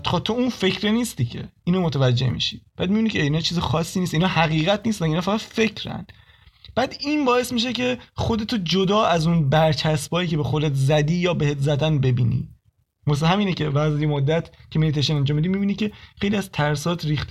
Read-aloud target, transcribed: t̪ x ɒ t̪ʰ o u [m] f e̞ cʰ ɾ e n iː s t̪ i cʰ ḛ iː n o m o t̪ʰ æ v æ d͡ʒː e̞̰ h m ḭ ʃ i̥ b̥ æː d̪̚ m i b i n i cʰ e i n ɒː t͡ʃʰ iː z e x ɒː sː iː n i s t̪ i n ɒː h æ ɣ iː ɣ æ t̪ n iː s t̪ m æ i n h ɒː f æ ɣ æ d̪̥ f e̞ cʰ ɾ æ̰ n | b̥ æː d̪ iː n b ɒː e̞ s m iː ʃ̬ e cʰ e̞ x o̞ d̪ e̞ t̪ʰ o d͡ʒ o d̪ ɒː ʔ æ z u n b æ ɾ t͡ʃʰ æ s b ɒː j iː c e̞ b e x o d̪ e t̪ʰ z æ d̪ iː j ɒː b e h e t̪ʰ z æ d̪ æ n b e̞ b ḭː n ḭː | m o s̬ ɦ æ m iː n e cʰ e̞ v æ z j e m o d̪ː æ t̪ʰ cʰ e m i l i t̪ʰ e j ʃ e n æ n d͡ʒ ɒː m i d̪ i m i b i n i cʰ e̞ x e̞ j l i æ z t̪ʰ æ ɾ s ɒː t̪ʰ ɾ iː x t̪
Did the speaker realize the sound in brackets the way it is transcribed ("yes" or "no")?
no